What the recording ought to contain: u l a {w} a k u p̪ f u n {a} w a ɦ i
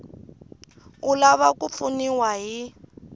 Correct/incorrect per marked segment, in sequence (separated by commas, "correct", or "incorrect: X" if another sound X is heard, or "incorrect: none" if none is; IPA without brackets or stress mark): incorrect: β, incorrect: i